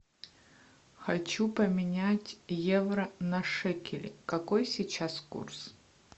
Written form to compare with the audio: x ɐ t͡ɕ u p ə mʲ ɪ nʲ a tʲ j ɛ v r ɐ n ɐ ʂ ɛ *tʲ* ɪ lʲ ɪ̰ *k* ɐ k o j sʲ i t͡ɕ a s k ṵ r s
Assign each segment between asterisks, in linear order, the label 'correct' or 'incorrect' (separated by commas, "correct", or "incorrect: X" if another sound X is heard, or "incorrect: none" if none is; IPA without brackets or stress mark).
incorrect: kʲ, correct